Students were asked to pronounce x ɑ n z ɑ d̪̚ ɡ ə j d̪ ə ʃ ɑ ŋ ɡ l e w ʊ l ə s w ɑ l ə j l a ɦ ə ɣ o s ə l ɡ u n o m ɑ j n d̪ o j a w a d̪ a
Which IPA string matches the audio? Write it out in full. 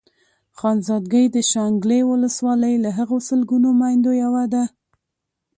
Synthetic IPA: x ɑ n z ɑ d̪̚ ɡ ə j d̪ ə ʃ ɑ ŋ ɡ l e w ʊ l ə s w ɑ l ə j l a ɦ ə ɣ o s ə l ɡ u n o m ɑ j n d̪ o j a w a d̪ a